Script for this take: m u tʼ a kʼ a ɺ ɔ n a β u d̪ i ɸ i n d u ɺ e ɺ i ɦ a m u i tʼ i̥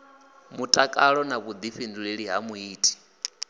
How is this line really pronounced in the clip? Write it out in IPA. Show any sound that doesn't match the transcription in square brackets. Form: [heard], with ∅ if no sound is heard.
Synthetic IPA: m u tʼ a kʼ a ɺ ɔ n a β u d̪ i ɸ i n d u ɺ e ɺ i ɦ a m u [iː] tʼ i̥